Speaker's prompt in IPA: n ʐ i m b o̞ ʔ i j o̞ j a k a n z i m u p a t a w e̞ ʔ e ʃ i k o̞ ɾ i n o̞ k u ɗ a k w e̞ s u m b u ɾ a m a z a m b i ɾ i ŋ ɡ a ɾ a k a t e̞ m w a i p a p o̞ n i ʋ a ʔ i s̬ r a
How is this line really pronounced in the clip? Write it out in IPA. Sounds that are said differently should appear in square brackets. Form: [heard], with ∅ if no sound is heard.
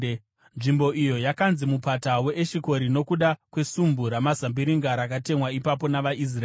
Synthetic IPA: n ʐ i m b o̞ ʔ i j o̞ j a k a n z i m u p a t a w e̞ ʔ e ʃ i k o̞ ɾ i n o̞ k u ɗ a k w e̞ s u m b u ɾ a m a z a m b i ɾ i ŋ ɡ a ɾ a k a t e̞ m w a i p a p o̞ n [a] ʋ a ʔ i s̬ r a